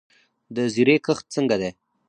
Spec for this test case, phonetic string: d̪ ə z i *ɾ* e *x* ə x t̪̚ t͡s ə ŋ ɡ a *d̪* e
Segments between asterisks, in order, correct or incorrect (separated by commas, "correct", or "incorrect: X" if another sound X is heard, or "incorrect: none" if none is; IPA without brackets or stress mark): correct, incorrect: k, correct